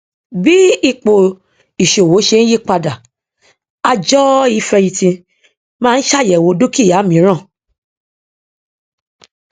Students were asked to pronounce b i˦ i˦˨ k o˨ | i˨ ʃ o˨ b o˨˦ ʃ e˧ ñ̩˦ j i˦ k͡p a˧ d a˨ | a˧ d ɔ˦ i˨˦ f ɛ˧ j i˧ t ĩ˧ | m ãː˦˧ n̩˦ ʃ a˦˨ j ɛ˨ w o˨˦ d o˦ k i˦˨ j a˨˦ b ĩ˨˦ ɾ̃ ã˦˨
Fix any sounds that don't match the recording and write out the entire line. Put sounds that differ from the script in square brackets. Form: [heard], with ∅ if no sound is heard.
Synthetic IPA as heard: b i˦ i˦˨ [k͡p] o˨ | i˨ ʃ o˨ [w] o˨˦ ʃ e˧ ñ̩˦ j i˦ k͡p a˧ d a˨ | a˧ [d͡ʒ] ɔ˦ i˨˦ f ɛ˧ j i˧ t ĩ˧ | m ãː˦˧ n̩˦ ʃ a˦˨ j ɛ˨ w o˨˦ d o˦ k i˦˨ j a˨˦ [m] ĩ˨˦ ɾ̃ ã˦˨